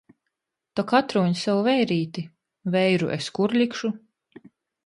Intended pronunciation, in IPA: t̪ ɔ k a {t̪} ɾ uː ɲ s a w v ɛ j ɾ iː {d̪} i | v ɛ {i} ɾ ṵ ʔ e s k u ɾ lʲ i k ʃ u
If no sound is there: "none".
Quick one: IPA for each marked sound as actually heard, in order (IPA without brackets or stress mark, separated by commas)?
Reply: t̪, t̪, j